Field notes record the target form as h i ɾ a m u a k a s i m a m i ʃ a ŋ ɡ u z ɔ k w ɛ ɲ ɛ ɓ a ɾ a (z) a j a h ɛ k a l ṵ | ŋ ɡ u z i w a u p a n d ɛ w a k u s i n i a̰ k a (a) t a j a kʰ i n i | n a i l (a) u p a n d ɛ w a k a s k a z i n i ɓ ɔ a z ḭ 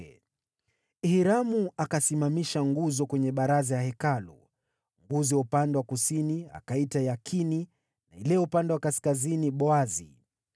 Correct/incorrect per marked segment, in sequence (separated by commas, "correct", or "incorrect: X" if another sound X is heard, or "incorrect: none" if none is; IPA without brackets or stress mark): correct, incorrect: i, incorrect: ɛ